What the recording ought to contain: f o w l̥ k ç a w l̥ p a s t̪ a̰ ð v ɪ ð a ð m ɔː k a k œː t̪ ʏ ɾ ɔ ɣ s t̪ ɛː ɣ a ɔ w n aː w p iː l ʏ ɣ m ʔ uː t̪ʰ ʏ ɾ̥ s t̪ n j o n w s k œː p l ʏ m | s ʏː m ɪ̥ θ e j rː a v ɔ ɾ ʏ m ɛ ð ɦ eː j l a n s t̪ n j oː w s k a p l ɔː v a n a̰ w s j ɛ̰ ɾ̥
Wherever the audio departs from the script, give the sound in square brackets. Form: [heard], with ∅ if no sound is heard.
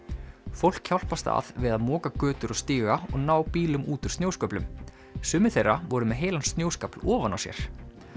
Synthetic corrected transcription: f o w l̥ k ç a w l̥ p a s t̪ a̰ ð v ɪ ð a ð m ɔː k a k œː t̪ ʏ ɾ ɔ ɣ s t̪ [iː] ɣ a ɔ [ɣ] n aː w p iː l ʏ [∅] m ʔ uː [t̪] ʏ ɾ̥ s t̪ n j o [∅] w s k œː p l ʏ m | s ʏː m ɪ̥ θ e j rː a v ɔ ɾ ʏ m ɛ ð ɦ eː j l a n s t̪ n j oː w s k a p l ɔː v a n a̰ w s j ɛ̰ ɾ̥